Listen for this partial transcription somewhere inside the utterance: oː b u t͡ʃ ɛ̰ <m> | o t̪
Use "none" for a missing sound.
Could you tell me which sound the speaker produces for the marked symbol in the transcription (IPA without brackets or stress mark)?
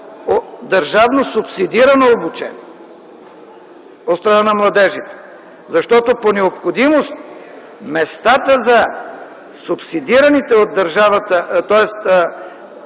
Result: n